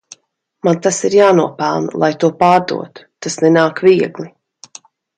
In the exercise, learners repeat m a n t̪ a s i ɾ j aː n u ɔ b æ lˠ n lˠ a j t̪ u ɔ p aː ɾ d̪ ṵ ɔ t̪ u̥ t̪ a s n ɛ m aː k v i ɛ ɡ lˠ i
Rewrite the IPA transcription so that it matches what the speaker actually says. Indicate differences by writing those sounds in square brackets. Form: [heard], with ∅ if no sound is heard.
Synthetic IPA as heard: m a n t̪ a s i ɾ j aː n u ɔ [p] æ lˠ n lˠ a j t̪ u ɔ p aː ɾ d̪ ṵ ɔ t̪ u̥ t̪ a s n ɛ [n] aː k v i ɛ ɡ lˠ i